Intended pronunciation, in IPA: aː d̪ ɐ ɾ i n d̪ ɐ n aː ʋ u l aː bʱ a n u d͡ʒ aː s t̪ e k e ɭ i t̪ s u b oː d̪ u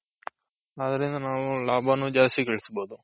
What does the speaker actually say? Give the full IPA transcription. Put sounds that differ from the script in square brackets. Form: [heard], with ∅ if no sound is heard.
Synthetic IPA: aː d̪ ɐ ɾ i n d̪ ɐ n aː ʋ u l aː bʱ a n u d͡ʒ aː s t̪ [i] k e ɭ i [∅] s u b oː d̪ u